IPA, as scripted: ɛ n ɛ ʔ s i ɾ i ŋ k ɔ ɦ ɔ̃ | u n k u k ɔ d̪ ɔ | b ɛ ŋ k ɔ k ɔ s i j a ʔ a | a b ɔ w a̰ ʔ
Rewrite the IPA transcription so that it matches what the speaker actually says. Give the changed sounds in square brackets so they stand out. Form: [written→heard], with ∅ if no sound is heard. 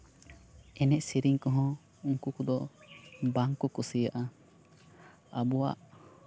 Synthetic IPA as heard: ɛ n ɛ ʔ s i ɾ i ŋ k ɔ ɦ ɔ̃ | u [n→ŋ] k u k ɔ d̪ ɔ | b [ɛ→a] ŋ k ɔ k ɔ s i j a ʔ a | a b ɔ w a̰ ʔ

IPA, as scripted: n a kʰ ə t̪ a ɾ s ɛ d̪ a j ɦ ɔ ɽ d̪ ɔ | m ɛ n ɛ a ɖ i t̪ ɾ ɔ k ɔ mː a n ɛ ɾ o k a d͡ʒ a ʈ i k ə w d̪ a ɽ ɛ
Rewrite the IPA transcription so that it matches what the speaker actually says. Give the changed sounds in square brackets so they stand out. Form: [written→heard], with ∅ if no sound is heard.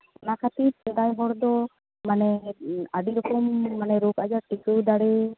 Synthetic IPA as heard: n a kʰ [ə→a] t̪ [a→i] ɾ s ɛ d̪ a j ɦ ɔ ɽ d̪ ɔ | m [ɛ→a] n ɛ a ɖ i [t̪→∅] ɾ ɔ k ɔ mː a n ɛ ɾ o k a d͡ʒ a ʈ i k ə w d̪ a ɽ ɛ

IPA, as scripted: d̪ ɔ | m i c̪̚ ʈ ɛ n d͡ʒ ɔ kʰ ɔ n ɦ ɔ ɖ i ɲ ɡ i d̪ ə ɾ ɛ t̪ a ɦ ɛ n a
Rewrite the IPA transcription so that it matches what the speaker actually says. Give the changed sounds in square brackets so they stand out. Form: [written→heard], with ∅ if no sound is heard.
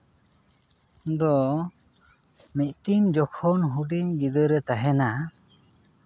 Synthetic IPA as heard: d̪ ɔ | m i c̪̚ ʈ [ɛ→i] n d͡ʒ ɔ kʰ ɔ n ɦ [ɔ→u] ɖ i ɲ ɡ i d̪ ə ɾ ɛ t̪ a ɦ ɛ n a

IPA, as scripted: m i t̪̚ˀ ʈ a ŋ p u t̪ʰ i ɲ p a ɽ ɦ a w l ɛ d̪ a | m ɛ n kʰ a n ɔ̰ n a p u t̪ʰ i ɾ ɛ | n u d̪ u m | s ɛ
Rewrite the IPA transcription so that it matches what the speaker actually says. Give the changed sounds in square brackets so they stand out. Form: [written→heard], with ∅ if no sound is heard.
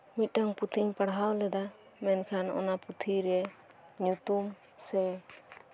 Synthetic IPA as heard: m i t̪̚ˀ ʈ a ŋ p u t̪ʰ i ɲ p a ɽ ɦ a w l ɛ d̪ a | m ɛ n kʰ a n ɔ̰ n a p u t̪ʰ i ɾ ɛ | [n→ɲ] u [d̪→t̪] u m | s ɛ

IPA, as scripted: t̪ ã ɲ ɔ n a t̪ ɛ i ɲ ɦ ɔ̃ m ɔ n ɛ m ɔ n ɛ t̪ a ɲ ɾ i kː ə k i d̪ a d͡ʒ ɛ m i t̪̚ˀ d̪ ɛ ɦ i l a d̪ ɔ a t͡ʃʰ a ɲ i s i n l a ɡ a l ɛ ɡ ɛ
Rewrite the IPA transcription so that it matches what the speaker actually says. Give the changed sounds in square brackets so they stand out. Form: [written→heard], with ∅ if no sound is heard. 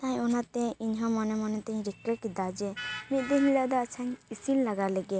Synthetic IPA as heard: t̪ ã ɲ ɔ n a t̪ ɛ i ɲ ɦ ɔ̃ m ɔ n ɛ m ɔ n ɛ t̪ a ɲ ɾ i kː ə k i d̪ a d͡ʒ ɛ m i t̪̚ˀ d̪ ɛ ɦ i l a d̪ ɔ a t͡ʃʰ a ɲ i s i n l a ɡ a l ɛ ɡ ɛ

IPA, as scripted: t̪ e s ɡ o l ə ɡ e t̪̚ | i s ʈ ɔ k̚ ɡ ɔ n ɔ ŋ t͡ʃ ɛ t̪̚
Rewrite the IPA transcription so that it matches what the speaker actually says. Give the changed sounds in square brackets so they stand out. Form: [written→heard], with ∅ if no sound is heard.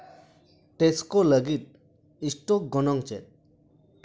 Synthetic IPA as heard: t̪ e s [ɡ→k] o l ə ɡ [e→i] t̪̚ | i s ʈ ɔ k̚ ɡ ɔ n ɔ ŋ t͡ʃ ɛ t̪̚

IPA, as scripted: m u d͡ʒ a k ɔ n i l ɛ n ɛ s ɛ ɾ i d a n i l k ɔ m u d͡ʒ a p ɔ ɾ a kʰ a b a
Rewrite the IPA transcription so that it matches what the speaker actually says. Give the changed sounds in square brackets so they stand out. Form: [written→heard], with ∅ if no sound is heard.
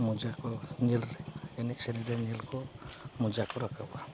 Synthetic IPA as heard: m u d͡ʒ a k ɔ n i l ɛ n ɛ s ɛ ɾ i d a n i l k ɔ m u d͡ʒ a [p→k] ɔ ɾ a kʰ a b a

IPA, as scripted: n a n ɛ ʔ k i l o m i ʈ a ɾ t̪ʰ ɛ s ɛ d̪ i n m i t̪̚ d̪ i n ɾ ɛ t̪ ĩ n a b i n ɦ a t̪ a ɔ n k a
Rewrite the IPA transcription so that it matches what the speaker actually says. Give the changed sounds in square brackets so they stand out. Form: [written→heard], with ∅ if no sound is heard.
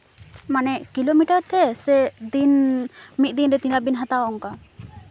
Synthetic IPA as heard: [n→m] a n ɛ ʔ k i l o m i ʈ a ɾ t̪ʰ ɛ s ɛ d̪ i n m i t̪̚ d̪ i n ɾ ɛ t̪ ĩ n a b i n ɦ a t̪ a ɔ [n→ŋ] k a

